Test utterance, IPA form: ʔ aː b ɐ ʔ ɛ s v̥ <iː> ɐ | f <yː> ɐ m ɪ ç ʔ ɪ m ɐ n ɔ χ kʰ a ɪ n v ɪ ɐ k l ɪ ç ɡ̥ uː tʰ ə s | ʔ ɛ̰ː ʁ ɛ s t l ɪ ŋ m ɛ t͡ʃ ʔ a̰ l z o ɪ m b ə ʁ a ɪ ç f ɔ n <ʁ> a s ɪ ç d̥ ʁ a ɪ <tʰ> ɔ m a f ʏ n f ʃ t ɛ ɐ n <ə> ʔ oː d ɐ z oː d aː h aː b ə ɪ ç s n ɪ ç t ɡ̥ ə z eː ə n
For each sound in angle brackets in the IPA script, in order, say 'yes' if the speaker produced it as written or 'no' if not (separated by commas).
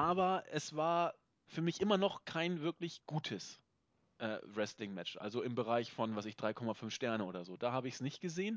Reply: no, yes, no, no, yes